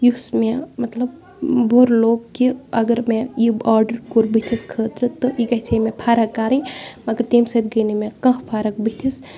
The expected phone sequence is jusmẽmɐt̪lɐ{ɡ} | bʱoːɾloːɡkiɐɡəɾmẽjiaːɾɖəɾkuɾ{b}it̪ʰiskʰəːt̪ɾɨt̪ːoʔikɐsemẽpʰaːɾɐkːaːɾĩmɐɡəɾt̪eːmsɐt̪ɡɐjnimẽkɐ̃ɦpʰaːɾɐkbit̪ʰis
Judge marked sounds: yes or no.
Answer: no, yes

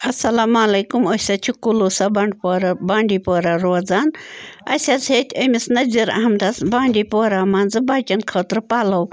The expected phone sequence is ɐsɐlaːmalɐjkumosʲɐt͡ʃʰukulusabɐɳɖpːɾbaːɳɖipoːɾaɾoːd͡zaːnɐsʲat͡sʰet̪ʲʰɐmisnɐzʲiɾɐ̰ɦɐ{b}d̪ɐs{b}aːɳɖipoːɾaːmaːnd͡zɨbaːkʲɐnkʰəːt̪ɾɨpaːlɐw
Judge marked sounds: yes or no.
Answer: no, yes

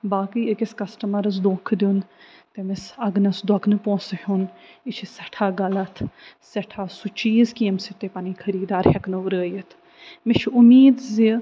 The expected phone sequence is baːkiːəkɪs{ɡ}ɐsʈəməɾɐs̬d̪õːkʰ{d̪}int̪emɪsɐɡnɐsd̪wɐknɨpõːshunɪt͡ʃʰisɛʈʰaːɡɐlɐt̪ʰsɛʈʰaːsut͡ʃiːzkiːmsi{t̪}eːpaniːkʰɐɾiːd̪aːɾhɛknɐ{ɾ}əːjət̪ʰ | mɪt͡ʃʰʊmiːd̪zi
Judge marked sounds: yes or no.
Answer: no, yes, yes, yes

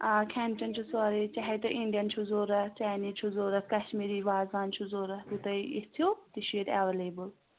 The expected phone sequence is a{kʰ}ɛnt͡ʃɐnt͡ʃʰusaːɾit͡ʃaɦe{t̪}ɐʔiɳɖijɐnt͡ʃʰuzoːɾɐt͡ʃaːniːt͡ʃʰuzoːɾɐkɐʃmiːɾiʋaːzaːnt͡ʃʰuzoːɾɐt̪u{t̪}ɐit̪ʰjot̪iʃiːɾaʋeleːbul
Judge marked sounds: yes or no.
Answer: yes, yes, yes

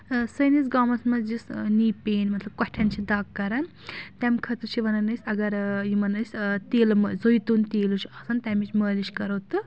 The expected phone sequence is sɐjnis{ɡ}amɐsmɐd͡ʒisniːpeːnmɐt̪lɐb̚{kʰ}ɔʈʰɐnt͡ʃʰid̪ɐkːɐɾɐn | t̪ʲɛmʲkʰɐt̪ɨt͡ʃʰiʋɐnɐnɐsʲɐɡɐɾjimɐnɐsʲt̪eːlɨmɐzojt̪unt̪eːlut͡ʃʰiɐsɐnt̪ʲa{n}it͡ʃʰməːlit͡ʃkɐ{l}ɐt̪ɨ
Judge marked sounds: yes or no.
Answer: yes, no, no, no

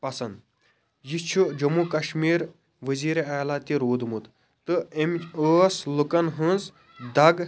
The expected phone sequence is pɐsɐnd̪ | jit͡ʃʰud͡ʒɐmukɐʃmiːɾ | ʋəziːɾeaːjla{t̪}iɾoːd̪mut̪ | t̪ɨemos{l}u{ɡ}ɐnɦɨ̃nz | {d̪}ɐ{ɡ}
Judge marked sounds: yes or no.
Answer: yes, yes, no, yes, yes

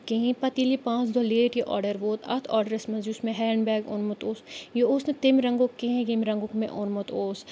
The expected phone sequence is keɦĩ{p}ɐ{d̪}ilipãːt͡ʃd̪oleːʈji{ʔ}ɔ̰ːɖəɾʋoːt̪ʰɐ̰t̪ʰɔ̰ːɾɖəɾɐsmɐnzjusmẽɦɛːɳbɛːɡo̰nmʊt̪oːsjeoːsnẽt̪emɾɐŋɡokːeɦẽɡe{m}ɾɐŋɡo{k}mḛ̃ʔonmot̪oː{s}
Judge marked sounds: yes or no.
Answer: yes, no, yes, yes, yes, yes

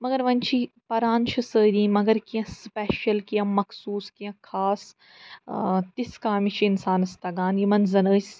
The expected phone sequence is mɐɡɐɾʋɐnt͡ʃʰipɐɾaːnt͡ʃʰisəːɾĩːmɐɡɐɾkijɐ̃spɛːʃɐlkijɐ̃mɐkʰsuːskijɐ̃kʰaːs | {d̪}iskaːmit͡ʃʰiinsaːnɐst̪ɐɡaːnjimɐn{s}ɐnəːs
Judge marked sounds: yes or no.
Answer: no, no

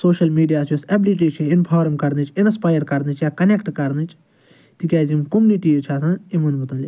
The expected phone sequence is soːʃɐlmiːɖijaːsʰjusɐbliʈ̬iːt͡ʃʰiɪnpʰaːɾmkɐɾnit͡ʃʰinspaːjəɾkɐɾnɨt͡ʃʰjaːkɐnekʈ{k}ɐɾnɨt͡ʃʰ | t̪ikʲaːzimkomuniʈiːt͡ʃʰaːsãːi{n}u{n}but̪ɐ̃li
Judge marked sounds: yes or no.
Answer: yes, no, yes

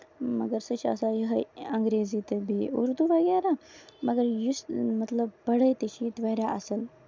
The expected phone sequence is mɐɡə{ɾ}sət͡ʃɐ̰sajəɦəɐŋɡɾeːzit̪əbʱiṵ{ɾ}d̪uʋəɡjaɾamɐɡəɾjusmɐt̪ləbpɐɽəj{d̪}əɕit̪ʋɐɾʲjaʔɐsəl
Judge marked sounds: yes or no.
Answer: yes, yes, no

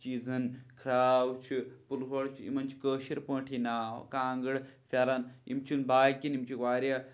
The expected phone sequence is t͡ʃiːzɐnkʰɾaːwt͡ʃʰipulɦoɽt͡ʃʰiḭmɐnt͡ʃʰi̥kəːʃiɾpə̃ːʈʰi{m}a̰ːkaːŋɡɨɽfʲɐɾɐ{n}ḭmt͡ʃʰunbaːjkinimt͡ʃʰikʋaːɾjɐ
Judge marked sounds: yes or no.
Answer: no, yes

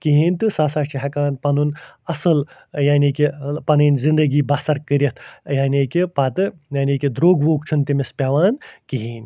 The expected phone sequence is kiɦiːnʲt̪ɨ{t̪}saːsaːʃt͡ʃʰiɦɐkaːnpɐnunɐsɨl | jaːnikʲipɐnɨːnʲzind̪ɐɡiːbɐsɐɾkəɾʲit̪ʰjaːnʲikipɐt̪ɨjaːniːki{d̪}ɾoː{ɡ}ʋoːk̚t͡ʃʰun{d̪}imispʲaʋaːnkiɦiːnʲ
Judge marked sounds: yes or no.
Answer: no, yes, yes, no

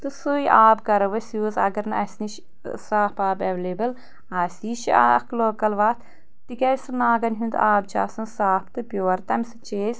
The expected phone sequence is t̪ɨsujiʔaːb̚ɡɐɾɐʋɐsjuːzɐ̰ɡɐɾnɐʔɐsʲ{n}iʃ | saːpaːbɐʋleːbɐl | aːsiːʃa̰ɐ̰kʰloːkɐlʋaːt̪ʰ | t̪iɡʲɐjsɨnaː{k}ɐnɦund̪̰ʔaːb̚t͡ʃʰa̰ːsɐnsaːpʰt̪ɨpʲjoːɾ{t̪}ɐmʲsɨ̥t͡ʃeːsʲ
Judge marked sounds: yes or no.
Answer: yes, no, yes

